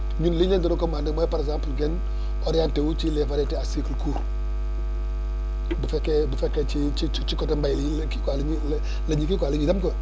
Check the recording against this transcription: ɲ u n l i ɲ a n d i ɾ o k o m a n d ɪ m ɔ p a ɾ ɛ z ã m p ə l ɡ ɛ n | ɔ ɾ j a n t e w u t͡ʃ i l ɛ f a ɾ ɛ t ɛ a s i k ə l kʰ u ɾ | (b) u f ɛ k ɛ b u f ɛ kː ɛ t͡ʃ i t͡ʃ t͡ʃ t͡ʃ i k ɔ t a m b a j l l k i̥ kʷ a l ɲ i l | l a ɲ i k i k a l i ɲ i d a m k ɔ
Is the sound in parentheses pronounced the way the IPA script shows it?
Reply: yes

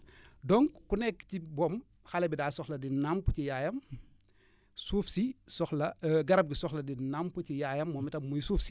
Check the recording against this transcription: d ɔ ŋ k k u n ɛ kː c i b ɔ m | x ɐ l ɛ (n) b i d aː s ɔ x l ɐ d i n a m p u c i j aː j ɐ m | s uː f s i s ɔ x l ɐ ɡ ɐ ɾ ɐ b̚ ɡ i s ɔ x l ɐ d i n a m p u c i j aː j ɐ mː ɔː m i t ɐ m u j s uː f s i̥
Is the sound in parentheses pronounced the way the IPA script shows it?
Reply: no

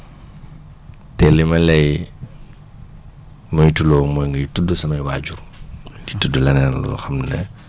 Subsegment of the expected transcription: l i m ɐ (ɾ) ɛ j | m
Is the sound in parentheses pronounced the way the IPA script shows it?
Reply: no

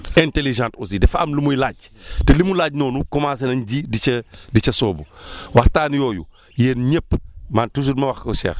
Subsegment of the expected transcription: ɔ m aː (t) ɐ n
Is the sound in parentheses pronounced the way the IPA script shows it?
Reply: no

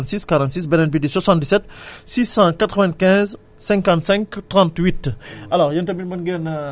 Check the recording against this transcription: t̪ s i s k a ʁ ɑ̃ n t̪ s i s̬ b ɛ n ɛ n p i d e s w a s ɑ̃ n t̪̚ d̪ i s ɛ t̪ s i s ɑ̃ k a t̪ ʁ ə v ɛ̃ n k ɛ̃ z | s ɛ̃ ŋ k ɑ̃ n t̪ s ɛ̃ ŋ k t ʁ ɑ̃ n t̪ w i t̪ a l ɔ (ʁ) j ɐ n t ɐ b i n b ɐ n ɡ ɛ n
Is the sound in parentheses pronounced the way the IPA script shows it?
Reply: yes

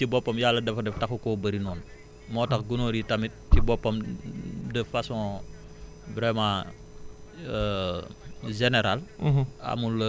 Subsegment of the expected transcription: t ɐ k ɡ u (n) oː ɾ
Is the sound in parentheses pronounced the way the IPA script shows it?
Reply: yes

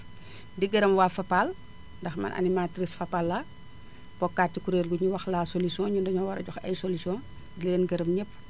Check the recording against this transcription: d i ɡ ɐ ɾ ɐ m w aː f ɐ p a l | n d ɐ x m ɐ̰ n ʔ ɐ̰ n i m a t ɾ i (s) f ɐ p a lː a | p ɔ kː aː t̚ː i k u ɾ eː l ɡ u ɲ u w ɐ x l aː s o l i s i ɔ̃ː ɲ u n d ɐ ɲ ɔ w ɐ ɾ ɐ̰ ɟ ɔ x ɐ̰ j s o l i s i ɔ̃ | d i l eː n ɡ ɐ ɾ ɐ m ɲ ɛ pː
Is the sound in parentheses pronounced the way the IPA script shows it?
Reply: yes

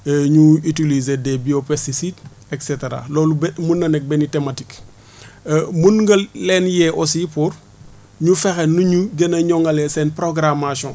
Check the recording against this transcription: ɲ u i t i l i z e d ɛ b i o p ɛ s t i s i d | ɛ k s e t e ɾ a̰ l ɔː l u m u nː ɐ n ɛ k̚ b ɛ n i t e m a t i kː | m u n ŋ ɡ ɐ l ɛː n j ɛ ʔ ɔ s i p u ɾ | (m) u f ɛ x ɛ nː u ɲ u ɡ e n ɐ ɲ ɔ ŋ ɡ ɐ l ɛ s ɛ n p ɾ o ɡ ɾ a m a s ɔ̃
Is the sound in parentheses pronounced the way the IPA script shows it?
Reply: no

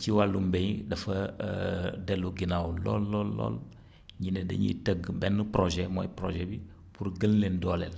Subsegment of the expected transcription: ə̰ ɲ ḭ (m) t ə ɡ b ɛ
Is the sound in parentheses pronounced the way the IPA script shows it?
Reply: no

